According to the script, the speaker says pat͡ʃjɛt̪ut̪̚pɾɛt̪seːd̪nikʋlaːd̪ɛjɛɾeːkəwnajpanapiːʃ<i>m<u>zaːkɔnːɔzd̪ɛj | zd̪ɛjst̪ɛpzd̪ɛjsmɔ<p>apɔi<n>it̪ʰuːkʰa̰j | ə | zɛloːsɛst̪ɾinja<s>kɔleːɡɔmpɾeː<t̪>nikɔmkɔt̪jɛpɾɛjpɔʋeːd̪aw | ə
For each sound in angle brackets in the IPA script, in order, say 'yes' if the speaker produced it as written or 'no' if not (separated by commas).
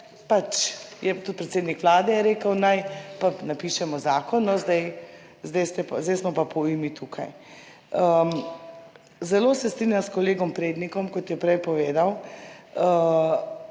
no, no, yes, no, yes, no